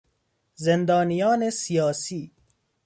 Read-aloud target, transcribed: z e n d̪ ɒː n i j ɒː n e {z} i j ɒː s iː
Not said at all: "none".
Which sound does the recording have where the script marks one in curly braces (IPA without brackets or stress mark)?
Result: s